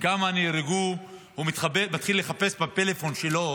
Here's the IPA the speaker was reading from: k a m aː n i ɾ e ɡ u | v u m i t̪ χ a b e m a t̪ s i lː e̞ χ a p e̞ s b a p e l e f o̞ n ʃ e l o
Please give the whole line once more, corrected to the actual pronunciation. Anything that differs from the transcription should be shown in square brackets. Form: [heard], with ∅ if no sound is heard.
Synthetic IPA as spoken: k a m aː n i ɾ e ɡ u | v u m i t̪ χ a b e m a t̪ [χ] i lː e̞ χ a p e̞ s b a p e l e f o̞ n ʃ e l o